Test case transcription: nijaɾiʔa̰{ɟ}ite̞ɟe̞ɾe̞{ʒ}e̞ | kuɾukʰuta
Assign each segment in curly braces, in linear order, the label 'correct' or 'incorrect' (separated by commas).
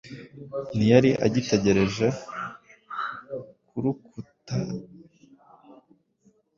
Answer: correct, correct